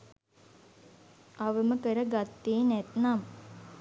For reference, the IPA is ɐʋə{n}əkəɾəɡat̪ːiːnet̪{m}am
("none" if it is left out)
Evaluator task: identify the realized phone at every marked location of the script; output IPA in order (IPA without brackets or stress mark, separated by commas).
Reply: m, n